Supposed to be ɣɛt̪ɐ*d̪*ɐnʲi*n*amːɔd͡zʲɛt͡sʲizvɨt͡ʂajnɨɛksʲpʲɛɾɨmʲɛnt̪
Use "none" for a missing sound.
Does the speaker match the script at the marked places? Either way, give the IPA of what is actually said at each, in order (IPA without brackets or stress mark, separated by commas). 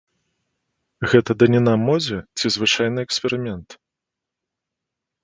d̪, n